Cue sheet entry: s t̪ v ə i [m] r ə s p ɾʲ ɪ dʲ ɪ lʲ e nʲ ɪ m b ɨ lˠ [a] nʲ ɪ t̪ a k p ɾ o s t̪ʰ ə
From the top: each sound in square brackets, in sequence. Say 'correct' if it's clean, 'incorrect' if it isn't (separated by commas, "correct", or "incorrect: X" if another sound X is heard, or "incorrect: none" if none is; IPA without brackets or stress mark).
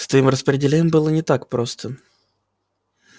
correct, incorrect: ə